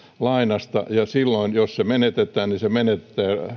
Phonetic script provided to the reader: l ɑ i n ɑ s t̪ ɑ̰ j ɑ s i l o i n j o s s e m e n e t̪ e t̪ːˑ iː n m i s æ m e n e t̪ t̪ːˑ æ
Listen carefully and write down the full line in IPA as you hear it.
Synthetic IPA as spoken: l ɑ i n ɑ s t̪ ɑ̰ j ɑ s i lː o i n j o s s e m e n e t̪ e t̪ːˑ æː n n i s e m e n e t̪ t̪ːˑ æː

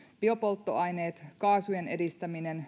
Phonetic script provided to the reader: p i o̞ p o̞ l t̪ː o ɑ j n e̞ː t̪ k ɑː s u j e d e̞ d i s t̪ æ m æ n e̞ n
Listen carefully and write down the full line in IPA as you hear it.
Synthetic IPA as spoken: p i o̞ p o̞ l t̪ː o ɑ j n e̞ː t̪ k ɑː s u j e n e̞ d i s t̪ æ m i n e̞ n

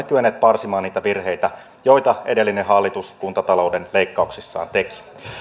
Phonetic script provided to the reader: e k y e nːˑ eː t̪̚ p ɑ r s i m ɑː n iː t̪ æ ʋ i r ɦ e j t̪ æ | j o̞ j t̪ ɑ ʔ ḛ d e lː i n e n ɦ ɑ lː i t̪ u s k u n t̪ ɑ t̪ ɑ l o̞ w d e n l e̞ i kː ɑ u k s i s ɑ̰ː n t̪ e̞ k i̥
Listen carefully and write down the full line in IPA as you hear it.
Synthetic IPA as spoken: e k y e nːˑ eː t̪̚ p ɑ r s i m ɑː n iː t̪ æ ʋ i r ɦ e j t̪ æ | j o̞ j t̪ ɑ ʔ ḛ d e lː i n e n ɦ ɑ lː i t̪ u s k u n t̪ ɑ t̪ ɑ l o̞ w d e n l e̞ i kː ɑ u k s i sː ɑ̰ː n t̪ e̞ k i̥

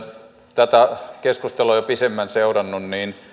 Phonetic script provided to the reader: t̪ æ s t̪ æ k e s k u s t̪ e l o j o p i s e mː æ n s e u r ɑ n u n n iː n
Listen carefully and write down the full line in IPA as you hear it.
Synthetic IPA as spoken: t̪ æ t̪ æ k e s k u s t̪ e l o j o p i s e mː æ n s e u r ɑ nː u n n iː n

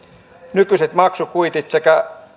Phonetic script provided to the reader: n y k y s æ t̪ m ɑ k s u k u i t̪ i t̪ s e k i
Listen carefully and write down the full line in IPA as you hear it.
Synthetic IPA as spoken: n y k y s e t̪ m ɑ k s u k u i t̪ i t̪ s e k æ

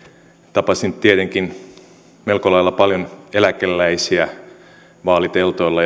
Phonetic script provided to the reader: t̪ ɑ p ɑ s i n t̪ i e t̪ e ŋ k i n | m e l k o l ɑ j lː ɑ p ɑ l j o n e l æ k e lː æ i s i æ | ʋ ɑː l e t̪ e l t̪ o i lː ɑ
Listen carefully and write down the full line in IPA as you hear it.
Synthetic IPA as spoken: t̪ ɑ p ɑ s i n t̪ i e t̪ e ŋ k i n | m e l k o l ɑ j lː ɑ p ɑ l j o n e l æ k e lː æ i s i æ | ʋ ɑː l i t̪ e l t̪ o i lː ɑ

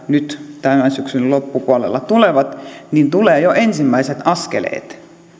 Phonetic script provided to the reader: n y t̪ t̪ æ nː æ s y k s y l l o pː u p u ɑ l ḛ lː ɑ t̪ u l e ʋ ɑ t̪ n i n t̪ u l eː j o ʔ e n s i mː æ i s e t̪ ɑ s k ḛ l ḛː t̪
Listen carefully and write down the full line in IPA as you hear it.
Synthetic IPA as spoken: n y t̪ t̪ æ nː æ s y k s y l l o pː u p u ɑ l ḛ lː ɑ t̪ u l e ʋ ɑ t̪ n i n t̪ u l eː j o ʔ e n s i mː æ i s e t̪ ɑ s k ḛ l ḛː t̪

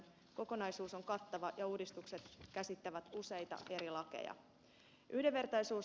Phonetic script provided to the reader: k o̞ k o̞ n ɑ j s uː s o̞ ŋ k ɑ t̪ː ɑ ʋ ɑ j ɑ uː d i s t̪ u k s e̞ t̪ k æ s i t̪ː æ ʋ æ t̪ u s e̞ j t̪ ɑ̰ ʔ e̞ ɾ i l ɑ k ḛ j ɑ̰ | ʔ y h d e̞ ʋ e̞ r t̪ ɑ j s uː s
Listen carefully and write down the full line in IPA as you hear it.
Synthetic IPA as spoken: k o̞ k o̞ n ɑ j s uː s o̞ ŋ k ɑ t̪ː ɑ ʋ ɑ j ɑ uː d i s t̪ u k s e̞ t̪ k æ s i t̪ː æ ʋ æ t̪ u s e̞ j t̪ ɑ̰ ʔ e̞ ɾ i l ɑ k ḛ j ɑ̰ | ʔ y h d e̞ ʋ e̞ r t̪ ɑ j s uː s

